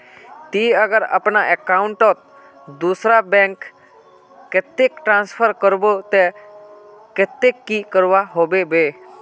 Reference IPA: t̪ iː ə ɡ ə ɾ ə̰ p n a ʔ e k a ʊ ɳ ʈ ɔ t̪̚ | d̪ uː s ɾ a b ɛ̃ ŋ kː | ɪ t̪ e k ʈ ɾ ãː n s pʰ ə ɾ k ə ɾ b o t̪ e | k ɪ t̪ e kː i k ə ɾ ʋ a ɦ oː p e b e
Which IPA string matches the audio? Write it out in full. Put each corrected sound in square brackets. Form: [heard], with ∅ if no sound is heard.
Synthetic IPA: t̪ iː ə ɡ ə ɾ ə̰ p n a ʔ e k a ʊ ɳ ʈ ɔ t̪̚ | d̪ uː s ɾ a b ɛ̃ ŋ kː | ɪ t̪ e k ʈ ɾ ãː n s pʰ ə ɾ k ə ɾ b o t̪ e | k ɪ t̪ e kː i k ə ɾ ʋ a ɦ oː [b] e b e